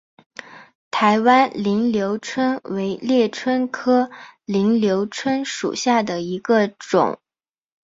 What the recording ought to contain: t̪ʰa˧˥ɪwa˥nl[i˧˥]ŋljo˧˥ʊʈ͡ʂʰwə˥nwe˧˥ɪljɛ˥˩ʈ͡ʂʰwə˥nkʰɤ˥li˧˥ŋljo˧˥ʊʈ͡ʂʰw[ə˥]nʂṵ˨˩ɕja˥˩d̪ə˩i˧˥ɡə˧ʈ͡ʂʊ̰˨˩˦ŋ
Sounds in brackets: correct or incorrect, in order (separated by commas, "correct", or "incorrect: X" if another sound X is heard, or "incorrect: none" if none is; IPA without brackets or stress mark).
correct, correct